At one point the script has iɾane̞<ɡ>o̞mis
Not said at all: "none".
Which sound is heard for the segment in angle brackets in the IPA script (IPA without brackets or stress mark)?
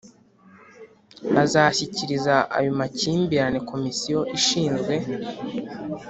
k